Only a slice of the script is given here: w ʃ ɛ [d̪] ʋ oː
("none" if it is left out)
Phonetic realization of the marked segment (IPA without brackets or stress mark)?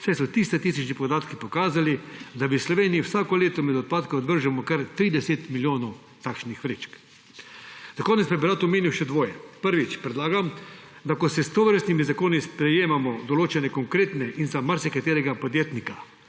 d̪